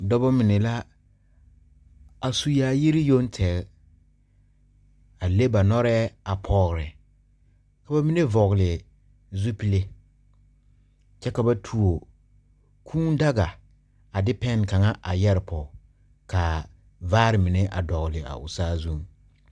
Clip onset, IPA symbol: d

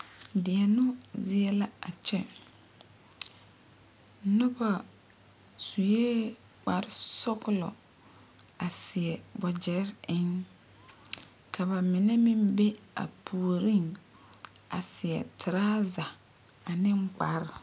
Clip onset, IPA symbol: d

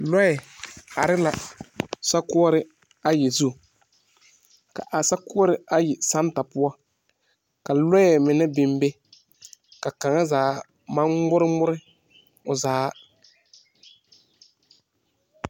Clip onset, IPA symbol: l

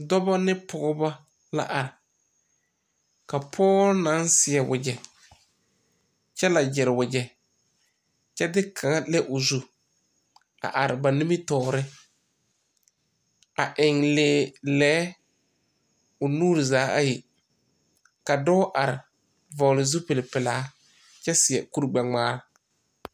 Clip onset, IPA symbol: d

